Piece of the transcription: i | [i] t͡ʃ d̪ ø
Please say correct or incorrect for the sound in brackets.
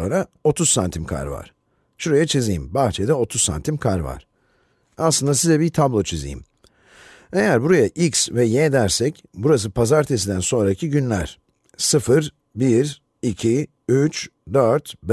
incorrect